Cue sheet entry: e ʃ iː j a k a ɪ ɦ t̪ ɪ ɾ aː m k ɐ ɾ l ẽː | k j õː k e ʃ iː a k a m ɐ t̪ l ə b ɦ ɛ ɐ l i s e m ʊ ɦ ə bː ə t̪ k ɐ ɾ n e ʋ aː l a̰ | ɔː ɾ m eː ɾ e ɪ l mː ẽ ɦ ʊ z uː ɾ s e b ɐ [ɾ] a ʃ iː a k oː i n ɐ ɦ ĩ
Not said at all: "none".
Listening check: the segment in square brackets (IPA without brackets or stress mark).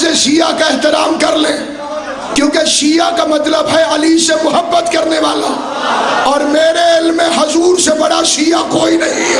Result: ɽ